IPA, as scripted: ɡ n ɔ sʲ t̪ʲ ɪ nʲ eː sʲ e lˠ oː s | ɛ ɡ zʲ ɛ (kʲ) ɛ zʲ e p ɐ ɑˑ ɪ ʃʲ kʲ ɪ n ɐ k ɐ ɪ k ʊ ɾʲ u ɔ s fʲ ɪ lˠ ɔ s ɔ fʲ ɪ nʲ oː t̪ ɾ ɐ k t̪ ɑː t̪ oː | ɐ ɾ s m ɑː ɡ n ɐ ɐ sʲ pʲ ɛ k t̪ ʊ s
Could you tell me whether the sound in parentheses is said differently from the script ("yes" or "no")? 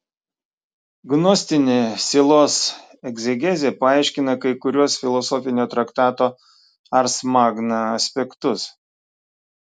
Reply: yes